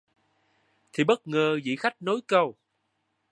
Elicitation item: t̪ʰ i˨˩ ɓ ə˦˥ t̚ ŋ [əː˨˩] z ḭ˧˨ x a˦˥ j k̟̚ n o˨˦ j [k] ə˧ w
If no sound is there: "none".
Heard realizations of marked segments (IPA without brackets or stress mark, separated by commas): əː˨˩, k